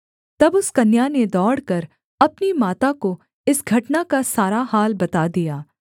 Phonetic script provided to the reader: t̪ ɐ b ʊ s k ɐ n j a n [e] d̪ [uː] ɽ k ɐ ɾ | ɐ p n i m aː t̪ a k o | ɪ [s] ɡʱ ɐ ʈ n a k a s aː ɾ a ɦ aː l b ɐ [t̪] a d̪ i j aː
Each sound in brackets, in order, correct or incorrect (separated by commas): correct, incorrect, correct, correct